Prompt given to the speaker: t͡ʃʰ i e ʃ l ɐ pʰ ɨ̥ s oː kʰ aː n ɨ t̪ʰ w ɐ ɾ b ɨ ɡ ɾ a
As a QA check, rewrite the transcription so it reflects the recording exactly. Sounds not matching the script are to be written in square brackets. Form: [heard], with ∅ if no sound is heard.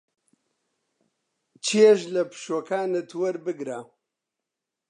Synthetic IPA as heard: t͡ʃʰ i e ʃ l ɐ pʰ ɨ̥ [ʃ] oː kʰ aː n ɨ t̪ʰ w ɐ ɾ b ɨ ɡ ɾ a